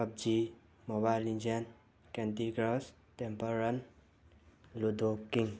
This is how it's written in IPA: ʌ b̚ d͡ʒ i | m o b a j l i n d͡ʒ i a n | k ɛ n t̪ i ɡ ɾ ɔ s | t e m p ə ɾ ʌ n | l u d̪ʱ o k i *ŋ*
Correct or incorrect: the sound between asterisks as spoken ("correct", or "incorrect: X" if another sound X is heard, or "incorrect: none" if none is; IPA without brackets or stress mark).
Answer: correct